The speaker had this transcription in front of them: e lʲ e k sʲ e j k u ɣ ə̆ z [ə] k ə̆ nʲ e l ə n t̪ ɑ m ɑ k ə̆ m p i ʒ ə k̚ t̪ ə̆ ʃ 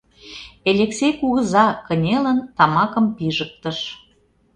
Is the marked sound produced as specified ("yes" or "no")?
no